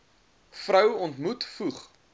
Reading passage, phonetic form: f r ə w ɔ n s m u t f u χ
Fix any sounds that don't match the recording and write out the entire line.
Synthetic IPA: f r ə w ɔ n t m u t f u χ